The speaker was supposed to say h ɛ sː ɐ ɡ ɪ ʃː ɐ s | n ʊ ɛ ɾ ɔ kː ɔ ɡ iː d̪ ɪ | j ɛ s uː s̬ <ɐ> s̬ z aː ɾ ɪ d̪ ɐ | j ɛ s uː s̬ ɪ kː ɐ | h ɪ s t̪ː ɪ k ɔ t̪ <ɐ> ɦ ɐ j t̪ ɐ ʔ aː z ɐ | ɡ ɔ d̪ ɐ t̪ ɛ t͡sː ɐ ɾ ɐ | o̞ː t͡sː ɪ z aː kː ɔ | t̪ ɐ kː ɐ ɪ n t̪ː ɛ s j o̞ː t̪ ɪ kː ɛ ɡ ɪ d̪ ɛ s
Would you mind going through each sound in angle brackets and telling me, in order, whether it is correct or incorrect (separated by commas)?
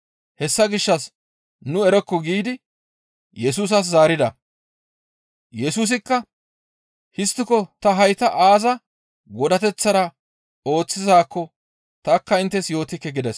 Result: correct, correct